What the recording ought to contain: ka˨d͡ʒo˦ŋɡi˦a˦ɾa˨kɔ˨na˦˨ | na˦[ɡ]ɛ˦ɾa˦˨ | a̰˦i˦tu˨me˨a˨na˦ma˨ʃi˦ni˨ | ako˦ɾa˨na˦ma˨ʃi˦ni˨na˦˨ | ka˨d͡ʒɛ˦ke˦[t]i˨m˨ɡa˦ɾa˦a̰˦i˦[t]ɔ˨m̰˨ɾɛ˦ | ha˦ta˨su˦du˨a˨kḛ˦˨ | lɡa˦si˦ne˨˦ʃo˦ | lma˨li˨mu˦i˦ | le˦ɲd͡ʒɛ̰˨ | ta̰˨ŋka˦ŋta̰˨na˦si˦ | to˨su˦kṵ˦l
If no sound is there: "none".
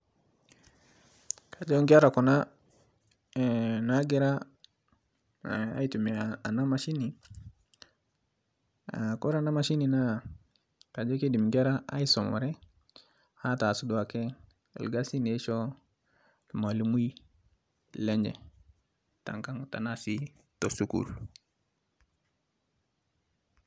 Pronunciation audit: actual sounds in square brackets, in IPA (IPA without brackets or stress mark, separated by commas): ɡ, d, s